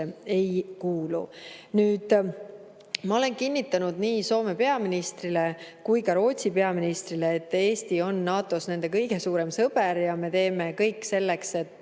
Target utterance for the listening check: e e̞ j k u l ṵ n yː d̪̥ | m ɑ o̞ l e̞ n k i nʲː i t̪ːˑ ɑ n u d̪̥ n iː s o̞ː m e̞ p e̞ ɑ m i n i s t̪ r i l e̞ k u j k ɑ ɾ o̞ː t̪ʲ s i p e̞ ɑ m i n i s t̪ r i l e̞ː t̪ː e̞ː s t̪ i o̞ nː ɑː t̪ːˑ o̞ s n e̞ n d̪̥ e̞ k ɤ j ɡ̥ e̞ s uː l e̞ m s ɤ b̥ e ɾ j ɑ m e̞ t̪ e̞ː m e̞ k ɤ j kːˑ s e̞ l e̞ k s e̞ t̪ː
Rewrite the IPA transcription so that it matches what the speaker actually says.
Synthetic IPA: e e̞ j k uː l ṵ n yː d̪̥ | m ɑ o̞ l e̞ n k i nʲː i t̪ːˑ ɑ n u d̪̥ n iː s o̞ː m e̞ p e̞ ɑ m i n i s t̪ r i l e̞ k u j k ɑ ɾ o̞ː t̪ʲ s i p e̞ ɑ m i n i s t̪ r i l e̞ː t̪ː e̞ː s t̪ i o̞ nː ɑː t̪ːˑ o̞ s n e̞ n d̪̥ e̞ k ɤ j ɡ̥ e̞ s uː ɾ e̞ m s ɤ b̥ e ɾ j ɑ m e̞ t̪ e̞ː m e̞ k ɤ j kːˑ s e̞ lː e̞ k s e̞ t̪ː